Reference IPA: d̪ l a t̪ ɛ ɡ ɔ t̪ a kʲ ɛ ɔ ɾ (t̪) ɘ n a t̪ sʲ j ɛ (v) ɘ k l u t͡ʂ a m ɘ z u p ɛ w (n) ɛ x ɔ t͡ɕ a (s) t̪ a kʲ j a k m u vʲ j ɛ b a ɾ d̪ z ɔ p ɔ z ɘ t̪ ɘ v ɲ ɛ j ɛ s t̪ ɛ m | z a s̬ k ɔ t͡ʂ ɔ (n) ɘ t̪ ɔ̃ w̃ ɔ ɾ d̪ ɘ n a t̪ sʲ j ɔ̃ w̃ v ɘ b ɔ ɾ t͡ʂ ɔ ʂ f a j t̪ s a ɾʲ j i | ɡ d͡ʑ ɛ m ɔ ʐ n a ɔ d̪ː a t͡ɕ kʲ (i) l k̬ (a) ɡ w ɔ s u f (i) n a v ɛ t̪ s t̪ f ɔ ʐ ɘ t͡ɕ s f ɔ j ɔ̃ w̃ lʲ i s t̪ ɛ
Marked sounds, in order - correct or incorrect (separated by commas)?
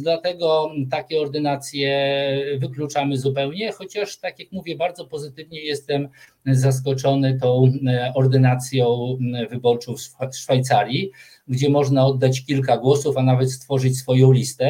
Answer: incorrect, correct, incorrect, incorrect, correct, correct, correct, incorrect